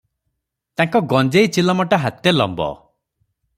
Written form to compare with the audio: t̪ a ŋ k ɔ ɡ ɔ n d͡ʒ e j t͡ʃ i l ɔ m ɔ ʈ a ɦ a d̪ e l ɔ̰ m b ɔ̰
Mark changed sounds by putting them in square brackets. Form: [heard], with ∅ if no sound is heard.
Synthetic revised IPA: t̪ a ŋ k ɔ ɡ ɔ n d͡ʒ e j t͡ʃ i l ɔ m ɔ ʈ a ɦ a [t̪] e l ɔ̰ m b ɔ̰